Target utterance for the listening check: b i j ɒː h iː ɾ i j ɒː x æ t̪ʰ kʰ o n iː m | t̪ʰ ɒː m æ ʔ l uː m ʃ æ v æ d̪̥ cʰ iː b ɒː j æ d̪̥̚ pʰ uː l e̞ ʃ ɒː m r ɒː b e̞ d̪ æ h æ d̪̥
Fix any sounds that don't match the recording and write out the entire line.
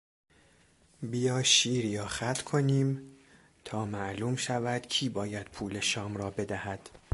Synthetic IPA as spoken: b i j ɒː ʃ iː ɾ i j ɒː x æ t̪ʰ kʰ o n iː m | t̪ʰ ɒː m æ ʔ l uː m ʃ æ v æ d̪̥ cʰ iː b ɒː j æ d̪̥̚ pʰ uː l e̞ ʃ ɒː m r ɒː b e̞ d̪ æ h æ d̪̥